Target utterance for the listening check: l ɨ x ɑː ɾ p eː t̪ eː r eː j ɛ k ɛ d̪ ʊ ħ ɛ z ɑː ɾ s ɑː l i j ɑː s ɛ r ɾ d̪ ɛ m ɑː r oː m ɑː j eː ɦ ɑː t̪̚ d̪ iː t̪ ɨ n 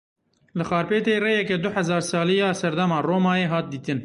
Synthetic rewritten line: l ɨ x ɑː ɾ p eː t̪ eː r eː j ɛ k ɛ d̪ ʊ ħ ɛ z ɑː ɾ s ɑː l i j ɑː s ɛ ɾ d̪ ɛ m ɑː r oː m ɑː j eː ɦ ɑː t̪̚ d̪ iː t̪ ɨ n